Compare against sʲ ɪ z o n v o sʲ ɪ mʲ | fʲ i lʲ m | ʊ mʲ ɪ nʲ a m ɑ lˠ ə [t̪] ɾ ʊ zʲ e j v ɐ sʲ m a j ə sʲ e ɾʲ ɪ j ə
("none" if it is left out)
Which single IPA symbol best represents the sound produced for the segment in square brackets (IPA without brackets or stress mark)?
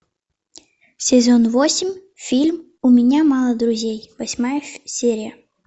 d̪